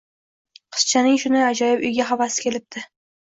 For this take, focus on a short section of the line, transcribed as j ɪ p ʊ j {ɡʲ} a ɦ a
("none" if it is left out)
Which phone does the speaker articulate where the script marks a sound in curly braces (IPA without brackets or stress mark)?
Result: ɡʲ